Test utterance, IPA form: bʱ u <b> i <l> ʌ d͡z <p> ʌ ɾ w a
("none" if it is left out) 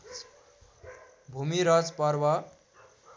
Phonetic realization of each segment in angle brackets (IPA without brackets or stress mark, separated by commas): m, ɾ, p